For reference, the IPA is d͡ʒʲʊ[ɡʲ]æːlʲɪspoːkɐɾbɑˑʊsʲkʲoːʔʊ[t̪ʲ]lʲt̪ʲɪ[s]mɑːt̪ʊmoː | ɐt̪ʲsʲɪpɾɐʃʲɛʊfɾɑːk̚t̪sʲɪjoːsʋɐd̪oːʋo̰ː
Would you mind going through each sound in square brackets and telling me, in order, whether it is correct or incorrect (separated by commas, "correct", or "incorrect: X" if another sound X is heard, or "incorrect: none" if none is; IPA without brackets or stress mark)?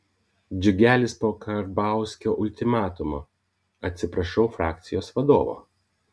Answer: correct, incorrect: none, incorrect: none